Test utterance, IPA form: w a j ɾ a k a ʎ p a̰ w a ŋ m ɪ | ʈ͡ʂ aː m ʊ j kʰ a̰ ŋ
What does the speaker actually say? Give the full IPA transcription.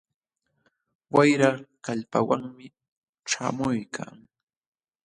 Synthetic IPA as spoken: w a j ɾ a k a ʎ p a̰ w a ŋ m ɪ | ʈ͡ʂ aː m ʊ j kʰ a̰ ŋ